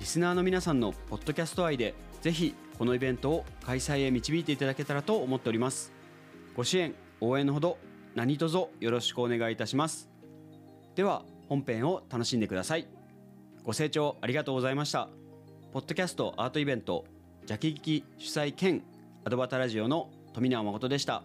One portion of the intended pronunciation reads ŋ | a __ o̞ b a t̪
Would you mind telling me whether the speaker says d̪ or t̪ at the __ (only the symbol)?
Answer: d̪